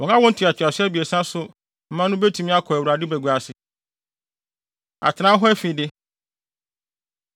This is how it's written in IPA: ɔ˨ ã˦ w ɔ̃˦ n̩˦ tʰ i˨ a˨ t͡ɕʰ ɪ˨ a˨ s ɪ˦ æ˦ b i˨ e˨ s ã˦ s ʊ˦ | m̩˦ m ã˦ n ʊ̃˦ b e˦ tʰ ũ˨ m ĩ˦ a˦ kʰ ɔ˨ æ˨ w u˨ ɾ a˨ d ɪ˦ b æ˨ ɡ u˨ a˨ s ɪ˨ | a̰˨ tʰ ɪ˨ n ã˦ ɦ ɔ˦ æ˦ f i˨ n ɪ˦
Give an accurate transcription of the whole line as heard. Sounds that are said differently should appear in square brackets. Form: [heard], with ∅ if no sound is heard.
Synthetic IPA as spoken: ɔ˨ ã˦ w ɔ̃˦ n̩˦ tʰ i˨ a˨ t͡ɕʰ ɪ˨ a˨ s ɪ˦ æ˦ b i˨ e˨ s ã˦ s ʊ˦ | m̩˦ m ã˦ n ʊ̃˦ b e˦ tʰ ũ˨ m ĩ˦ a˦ kʰ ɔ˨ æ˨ w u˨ ɾ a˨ d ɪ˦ b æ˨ ɡ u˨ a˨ s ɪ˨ | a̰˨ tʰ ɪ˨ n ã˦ ɦ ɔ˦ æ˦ f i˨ [d] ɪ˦